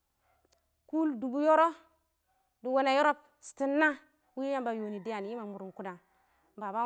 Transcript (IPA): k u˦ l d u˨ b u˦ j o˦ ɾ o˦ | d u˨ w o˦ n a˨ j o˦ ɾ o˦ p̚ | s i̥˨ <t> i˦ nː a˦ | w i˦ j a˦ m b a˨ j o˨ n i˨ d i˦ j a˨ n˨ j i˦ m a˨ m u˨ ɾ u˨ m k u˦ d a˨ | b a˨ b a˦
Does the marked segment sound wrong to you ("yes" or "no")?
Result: no